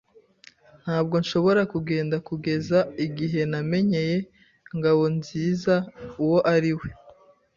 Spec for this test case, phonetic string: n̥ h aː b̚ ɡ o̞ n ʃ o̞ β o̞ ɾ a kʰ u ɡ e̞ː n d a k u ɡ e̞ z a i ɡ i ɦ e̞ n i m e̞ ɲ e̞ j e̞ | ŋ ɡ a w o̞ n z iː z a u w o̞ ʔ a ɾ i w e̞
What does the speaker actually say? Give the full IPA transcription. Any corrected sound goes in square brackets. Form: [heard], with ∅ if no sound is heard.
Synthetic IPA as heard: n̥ h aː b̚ ɡ o̞ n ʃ o̞ β o̞ ɾ a [k] u ɡ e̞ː n d a k u ɡ e̞ z a i ɡ i ɦ e̞ n [a] m e̞ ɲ e̞ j e̞ | ŋ ɡ a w o̞ n z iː z a u w o̞ ʔ a ɾ i w e̞